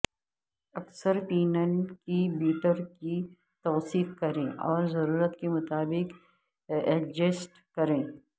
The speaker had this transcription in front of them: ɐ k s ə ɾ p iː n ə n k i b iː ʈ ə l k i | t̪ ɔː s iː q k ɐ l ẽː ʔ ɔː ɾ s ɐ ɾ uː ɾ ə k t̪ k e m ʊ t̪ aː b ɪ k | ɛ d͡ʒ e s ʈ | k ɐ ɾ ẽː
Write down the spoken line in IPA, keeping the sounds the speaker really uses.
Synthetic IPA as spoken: ɐ k s ə ɾ p iː n ə n k i b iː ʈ ə ɾ k i | t̪ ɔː s iː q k ɐ ɾ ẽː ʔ ɔː ɾ z ɐ ɾ uː ɾ ə t̪ k e m ʊ t̪ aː b ɪ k | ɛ d͡ʒ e s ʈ | k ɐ ɾ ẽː